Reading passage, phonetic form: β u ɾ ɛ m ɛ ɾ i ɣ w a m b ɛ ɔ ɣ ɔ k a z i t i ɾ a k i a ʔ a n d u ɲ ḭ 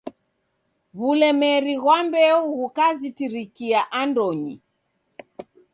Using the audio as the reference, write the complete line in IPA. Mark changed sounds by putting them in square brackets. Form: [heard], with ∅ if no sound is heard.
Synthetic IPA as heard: β u [l] ɛ m ɛ ɾ i ɣ w a m b ɛ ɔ ɣ [u] k a z i t i ɾ [i] k i a ʔ a n d [ɔ] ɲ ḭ